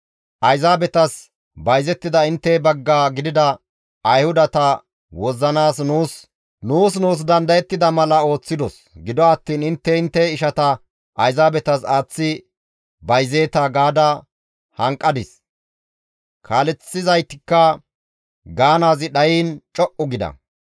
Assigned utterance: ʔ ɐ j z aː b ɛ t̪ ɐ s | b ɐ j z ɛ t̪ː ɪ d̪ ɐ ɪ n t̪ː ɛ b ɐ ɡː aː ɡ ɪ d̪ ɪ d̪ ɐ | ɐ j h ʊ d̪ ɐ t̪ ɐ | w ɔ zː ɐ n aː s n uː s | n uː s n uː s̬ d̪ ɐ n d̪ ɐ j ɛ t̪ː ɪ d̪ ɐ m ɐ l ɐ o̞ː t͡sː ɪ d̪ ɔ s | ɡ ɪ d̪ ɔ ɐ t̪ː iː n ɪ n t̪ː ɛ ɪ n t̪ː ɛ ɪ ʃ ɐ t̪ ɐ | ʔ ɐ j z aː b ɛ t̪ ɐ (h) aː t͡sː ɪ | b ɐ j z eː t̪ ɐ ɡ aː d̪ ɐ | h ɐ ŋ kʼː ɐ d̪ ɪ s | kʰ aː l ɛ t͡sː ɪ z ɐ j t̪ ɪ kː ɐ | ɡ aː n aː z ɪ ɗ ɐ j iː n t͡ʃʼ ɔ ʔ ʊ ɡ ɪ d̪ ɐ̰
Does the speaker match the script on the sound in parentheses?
no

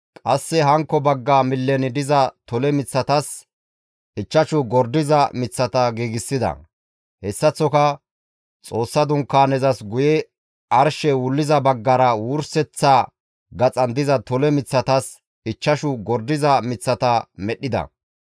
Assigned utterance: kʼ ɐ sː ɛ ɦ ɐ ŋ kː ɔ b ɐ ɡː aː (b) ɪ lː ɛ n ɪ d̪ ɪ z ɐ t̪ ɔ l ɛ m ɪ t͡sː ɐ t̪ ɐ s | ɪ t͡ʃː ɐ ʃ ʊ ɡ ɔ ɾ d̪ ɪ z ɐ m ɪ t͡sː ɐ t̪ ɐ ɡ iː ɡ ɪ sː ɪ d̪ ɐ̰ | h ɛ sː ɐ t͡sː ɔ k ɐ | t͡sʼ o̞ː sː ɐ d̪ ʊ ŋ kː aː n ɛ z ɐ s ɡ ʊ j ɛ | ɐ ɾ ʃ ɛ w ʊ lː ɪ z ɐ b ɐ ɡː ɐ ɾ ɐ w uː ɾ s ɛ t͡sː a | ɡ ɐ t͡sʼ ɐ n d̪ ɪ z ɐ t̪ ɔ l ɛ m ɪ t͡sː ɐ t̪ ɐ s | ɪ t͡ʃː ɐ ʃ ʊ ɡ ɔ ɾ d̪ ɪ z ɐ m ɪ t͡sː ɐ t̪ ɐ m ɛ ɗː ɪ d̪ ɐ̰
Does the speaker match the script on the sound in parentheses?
no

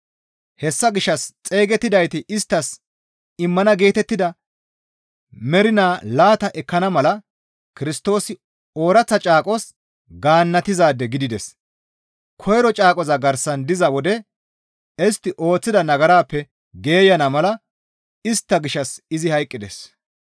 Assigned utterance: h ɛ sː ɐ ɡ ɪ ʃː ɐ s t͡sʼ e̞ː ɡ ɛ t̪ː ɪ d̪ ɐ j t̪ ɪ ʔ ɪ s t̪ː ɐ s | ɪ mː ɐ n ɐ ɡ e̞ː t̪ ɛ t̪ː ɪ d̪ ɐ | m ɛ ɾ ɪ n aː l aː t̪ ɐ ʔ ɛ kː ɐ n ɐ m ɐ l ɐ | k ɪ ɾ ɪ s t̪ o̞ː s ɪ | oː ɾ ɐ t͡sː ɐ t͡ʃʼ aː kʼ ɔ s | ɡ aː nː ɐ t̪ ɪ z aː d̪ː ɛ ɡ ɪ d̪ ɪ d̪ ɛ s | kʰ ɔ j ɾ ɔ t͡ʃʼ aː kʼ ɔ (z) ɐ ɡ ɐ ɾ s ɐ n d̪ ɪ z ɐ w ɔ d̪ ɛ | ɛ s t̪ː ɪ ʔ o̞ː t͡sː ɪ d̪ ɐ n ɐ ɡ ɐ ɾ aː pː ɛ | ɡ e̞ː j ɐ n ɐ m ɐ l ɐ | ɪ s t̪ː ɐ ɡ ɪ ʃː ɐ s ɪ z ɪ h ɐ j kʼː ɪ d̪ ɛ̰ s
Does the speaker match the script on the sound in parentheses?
yes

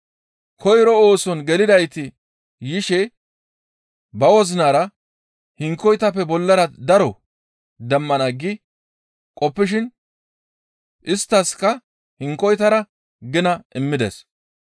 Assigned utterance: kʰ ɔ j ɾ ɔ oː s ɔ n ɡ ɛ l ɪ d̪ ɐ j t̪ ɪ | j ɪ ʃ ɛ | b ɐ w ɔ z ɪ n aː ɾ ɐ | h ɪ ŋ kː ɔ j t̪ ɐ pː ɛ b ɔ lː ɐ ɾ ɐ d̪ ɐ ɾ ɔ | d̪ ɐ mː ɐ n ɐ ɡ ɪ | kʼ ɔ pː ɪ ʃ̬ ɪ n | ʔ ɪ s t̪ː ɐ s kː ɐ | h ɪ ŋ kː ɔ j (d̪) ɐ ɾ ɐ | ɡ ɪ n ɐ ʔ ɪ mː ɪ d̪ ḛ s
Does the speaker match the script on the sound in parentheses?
no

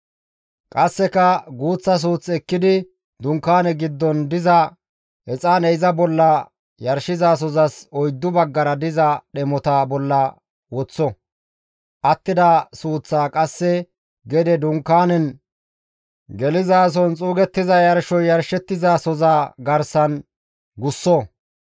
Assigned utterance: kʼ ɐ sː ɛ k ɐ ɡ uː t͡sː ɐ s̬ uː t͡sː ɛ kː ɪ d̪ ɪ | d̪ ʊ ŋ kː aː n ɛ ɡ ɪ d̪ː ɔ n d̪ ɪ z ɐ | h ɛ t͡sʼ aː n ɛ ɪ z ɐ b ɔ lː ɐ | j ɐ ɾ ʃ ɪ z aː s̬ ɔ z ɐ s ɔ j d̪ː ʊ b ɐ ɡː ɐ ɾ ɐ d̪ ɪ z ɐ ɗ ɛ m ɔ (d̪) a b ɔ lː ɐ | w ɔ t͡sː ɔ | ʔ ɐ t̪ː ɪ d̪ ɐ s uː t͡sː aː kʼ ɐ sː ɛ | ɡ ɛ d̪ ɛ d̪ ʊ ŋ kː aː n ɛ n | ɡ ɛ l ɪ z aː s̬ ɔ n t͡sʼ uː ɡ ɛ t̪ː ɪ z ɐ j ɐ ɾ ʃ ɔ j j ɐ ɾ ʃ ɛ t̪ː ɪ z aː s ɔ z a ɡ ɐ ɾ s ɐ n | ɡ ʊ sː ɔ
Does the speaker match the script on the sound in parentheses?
no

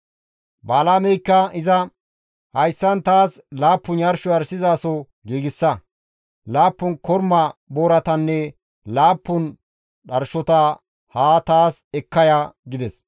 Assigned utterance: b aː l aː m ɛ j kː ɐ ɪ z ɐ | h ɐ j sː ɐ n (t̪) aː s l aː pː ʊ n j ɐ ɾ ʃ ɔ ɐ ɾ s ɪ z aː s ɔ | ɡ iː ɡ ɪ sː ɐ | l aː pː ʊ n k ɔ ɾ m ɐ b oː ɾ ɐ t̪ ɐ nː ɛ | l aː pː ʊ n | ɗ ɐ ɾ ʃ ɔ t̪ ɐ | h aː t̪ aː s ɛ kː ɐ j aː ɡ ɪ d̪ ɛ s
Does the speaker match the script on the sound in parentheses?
yes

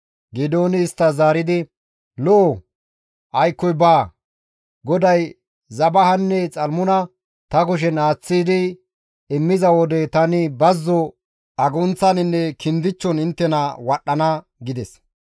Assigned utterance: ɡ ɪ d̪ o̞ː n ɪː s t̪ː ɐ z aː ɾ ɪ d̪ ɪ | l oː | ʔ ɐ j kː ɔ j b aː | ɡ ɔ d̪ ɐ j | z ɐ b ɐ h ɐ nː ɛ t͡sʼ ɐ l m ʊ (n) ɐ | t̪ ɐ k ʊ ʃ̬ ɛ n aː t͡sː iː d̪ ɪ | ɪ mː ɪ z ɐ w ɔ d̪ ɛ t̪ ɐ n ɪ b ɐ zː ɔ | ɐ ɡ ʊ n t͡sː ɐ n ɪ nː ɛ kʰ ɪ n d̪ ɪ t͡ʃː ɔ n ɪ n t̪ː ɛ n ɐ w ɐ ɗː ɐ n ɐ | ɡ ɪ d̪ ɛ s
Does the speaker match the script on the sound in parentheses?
yes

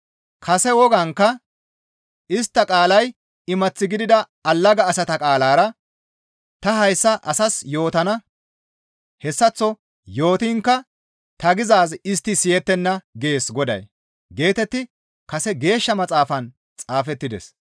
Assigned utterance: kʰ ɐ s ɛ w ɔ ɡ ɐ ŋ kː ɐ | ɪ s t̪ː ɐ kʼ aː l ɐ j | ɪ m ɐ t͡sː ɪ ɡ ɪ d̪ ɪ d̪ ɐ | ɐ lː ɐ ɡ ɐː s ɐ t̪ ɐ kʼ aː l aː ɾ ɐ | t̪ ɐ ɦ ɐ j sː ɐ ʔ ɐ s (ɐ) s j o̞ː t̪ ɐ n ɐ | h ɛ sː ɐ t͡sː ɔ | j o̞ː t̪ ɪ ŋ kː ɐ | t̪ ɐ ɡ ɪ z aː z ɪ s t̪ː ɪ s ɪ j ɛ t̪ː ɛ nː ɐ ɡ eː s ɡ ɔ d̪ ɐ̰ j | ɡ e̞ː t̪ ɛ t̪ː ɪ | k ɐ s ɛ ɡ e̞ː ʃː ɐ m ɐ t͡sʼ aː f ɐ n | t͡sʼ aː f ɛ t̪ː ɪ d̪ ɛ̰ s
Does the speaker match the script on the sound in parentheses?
yes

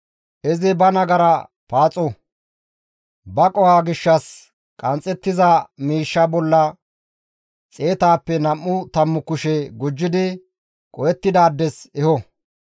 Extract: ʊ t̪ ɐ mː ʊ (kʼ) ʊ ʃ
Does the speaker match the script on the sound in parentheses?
no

